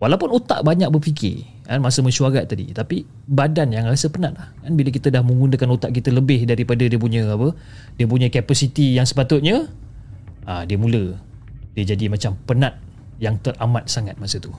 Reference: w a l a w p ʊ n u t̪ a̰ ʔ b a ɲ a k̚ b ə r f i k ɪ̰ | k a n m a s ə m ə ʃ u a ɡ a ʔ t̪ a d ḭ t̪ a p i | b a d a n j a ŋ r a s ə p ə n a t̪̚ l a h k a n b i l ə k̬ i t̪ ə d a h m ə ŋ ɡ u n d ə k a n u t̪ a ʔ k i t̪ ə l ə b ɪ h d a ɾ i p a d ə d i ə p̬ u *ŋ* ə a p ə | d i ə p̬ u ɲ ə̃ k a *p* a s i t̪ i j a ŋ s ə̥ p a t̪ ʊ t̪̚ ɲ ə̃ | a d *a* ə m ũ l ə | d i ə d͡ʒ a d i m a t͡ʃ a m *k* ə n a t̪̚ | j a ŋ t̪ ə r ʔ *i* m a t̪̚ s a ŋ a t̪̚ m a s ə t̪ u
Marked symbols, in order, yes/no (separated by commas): no, yes, no, no, no